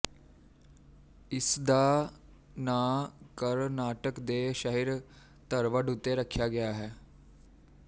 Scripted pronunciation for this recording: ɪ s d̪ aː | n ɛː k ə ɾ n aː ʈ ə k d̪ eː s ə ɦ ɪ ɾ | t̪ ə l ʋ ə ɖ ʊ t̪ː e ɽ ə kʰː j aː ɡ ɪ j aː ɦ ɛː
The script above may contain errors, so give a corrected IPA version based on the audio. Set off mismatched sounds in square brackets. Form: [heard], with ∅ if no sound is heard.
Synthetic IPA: ɪ s d̪ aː | n [aː] k ə ɾ n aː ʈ ə k d̪ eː [ʃ] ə ɦ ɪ ɾ | t̪ ə [ɾ] ʋ ə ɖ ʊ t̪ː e [ɾ] ə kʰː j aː ɡ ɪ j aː ɦ ɛː